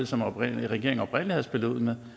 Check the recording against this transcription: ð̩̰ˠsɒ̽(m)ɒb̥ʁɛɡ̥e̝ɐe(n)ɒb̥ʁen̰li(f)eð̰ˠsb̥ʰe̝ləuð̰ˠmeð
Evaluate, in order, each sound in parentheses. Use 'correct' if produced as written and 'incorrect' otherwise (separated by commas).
correct, incorrect, incorrect